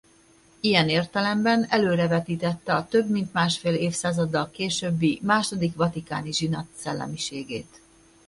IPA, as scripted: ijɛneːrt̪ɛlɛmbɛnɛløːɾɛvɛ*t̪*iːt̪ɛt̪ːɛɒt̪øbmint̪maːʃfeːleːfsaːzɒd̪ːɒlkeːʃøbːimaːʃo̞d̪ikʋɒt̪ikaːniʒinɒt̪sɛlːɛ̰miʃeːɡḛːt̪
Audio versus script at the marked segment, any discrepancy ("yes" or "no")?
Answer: no